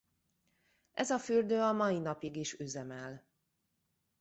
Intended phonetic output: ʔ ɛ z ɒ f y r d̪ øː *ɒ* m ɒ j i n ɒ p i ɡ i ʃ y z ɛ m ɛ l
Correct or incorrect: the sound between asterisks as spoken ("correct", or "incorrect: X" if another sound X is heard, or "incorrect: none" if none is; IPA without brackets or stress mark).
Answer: correct